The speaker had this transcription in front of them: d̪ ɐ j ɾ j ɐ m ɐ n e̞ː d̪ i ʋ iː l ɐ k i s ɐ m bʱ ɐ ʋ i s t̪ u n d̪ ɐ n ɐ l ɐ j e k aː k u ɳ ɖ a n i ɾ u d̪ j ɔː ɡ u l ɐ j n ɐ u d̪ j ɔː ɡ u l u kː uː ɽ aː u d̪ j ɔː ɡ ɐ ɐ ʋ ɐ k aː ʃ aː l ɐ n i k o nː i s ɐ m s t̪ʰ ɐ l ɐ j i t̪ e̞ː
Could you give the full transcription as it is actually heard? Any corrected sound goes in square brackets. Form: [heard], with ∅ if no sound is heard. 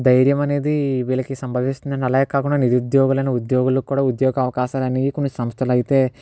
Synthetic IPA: d̪ ɐ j ɾ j ɐ m ɐ n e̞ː d̪ i ʋ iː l ɐ k i s ɐ m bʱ ɐ ʋ i s t̪ u n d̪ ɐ n ɐ l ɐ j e k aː k u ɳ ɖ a n i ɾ u d̪ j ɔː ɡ u l ɐ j n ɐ u d̪ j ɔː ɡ u l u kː uː ɽ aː u d̪ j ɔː ɡ ɐ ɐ ʋ ɐ k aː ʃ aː l ɐ n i k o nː i s ɐ m s t̪ʰ ɐ l ɐ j i t̪ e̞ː